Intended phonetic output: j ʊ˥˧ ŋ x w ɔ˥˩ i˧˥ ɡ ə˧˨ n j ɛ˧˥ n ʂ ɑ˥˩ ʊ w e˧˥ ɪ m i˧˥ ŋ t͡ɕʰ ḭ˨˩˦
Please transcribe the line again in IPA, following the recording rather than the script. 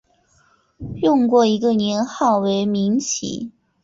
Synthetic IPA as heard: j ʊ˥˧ ŋ k w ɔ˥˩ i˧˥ ɡ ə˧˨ n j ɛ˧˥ n x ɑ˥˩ ʊ w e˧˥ ɪ m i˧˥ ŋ t͡ɕʰ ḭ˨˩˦

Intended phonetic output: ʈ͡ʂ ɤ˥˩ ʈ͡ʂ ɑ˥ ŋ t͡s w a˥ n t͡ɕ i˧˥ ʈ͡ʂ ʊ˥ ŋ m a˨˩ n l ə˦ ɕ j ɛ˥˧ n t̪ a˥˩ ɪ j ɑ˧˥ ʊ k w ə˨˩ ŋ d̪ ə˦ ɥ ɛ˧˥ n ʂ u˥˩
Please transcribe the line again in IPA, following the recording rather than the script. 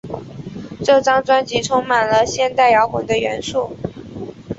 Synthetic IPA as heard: ʈ͡ʂ ɤ˥˩ ʈ͡ʂ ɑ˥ ŋ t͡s w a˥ n t͡ɕ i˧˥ ʈ͡ʂʰ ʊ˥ ŋ m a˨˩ n l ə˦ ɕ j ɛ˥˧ n t̪ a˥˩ ɪ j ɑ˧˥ ʊ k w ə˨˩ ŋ d̪ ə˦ ɥ ɛ˧˥ n ʂ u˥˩

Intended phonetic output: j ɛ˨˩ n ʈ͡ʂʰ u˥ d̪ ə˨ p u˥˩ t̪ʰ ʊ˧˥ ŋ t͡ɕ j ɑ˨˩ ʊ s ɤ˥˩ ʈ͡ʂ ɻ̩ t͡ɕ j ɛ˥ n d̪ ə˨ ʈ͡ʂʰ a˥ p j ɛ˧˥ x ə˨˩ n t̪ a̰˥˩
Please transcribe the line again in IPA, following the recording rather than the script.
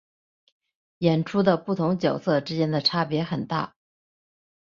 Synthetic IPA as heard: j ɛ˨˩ n ʈ͡ʂʰ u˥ d̪ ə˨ p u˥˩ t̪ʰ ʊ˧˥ ŋ t͡ɕ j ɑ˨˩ ʊ s ɤ˥˩ ʈ͡ʂ ɻ̩ t͡ɕ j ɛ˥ n d̪ ə˨ ʈ͡ʂʰ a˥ p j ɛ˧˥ x ə˨˩ n t̪ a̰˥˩

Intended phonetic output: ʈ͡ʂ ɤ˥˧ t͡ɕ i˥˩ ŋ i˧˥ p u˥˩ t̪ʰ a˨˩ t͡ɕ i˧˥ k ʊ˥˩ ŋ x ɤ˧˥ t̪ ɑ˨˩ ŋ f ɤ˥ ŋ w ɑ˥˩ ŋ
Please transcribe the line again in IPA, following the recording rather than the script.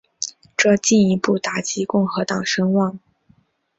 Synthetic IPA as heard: ʈ͡ʂ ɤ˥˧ t͡ɕ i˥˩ n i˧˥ p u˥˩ t̪ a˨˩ t͡ɕ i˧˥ k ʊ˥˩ ŋ x ɤ˧˥ t̪ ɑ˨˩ ŋ ʂ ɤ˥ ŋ w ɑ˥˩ ŋ

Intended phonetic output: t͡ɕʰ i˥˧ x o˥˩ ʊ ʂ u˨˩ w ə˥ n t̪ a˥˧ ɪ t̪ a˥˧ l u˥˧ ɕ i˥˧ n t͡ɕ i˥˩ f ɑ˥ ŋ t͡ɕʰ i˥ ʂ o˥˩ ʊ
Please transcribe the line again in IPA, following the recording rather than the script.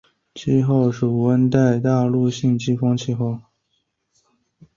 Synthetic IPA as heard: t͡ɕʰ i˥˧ x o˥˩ ʊ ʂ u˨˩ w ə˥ n t̪ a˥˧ ɪ t̪ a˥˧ l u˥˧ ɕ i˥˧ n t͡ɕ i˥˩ f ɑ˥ ŋ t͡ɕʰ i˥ x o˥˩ ʊ

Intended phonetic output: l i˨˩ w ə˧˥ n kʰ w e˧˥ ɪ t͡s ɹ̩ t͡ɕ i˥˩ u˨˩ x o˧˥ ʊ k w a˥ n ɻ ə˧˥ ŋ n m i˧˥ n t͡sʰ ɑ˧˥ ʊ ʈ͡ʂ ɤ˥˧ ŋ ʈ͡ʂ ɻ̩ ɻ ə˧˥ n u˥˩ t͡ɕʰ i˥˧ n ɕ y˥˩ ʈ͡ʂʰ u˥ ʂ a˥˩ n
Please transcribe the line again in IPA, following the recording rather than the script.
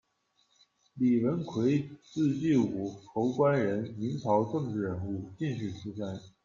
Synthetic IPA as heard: l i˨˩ w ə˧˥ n kʰ w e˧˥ ɪ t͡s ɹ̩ t͡ɕ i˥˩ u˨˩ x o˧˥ ʊ k w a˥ n ɻ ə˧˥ n m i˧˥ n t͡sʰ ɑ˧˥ ʊ ʈ͡ʂ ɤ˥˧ ŋ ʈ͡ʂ ɻ̩ ɻ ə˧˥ n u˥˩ t͡ɕ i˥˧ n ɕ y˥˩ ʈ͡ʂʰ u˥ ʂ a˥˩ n

